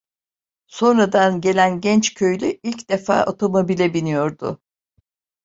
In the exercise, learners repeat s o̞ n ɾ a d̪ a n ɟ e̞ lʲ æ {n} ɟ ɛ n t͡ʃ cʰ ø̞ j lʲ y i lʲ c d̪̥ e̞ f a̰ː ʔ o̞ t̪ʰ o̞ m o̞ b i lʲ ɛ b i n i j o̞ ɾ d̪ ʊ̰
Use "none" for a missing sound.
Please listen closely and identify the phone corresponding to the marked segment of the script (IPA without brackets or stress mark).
n